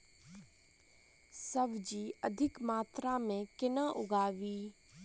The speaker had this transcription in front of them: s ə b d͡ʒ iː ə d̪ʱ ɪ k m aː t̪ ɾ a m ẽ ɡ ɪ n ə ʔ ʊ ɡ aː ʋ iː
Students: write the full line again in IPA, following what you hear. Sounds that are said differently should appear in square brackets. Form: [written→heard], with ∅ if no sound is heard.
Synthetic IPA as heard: s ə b d͡ʒ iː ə d̪ʱ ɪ k m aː t̪ ɾ a m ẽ [ɡ→k] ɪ n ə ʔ ʊ ɡ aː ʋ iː